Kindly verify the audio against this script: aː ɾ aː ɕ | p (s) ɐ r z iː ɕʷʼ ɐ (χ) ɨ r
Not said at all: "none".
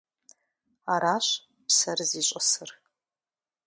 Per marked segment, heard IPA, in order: s, s

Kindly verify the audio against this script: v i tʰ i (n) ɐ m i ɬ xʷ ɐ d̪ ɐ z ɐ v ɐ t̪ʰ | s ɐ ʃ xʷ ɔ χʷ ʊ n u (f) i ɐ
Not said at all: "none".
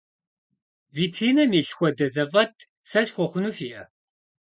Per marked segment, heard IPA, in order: n, f

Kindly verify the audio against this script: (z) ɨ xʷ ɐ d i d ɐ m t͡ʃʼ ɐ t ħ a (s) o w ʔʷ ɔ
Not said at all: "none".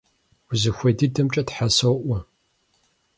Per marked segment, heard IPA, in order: z, s

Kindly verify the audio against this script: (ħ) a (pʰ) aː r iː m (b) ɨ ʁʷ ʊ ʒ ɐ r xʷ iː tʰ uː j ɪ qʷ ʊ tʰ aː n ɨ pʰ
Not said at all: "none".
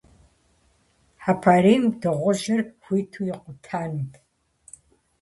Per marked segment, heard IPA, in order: ħ, pʰ, d

